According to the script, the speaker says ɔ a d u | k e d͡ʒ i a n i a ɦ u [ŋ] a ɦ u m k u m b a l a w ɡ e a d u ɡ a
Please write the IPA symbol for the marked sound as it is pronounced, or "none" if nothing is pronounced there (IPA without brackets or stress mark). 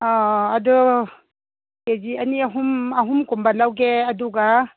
m